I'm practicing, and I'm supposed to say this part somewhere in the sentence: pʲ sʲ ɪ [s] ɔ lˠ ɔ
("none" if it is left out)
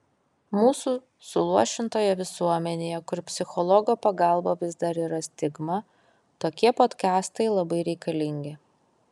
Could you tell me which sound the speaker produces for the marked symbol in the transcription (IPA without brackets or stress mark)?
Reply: x